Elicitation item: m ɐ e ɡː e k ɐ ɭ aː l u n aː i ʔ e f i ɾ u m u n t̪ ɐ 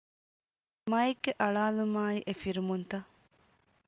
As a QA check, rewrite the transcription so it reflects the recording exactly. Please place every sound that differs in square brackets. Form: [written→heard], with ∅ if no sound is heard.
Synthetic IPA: m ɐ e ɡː e [k→ʔ] ɐ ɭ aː l u [n→m] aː i ʔ e f i ɾ u m u n t̪ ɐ

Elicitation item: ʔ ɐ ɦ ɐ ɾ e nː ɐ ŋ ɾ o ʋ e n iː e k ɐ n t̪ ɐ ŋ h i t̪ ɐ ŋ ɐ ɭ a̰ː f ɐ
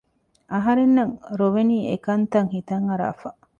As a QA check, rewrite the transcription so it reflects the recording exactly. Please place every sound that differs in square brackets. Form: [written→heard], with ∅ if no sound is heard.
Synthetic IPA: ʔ ɐ ɦ ɐ ɾ e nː ɐ ŋ ɾ o ʋ e n iː e k ɐ n t̪ ɐ ŋ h i t̪ ɐ ŋ ɐ [ɭ→ɾ] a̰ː f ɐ

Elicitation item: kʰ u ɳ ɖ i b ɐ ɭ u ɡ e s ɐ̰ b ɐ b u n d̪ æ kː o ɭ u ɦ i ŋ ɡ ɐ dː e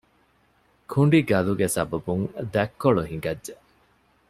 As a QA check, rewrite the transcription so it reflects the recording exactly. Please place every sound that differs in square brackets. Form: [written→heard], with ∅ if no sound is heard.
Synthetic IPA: kʰ u ɳ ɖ i [b→ɡ] ɐ [ɭ→l] u ɡ e s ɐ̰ b ɐ b u [n→ŋ] d̪ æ kː o ɭ u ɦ i ŋ ɡ ɐ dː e

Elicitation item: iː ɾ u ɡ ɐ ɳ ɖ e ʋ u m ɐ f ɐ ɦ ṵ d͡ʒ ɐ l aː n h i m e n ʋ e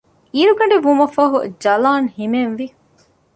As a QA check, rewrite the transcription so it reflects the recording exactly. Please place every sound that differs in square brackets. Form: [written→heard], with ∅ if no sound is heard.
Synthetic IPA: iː ɾ u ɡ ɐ ɳ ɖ e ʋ u m ɐ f ɐ ɦ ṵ d͡ʒ ɐ l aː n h i m e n ʋ [e→i]

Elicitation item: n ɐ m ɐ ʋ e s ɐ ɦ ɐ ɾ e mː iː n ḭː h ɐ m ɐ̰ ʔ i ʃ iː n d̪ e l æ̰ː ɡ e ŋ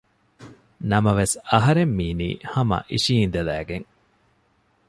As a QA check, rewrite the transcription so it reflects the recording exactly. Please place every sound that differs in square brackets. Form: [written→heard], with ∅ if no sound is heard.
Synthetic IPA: n ɐ m ɐ ʋ e s ɐ ɦ ɐ ɾ e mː iː n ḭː h ɐ m ɐ̰ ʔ i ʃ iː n d̪ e l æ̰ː ɡ e ŋ

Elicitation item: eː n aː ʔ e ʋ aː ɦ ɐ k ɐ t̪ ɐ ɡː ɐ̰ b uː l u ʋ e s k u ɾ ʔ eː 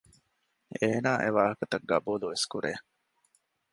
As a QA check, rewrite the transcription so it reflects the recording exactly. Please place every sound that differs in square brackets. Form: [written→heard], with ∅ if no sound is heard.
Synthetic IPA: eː n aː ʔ e ʋ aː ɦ ɐ k ɐ t̪ ɐ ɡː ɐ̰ b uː l u ʋ e s k u ɾ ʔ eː

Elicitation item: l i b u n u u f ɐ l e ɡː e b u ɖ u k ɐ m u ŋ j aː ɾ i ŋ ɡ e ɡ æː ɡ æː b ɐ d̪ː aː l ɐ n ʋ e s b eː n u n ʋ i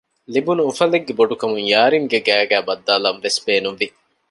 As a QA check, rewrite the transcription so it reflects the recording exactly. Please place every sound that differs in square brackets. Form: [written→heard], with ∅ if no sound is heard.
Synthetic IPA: l i b u n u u f ɐ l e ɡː e b [u→o] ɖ u k ɐ m u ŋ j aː ɾ i ŋ ɡ e ɡ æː ɡ æː b ɐ d̪ː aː l ɐ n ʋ e s b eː n u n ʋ i

